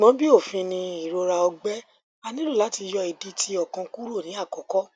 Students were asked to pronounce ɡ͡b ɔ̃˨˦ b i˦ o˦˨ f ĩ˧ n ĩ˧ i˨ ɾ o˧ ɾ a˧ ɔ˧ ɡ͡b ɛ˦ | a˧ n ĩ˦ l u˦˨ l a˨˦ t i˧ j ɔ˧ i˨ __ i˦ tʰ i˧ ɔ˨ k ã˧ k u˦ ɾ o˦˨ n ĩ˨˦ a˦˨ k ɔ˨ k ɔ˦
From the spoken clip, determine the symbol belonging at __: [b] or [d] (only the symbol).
d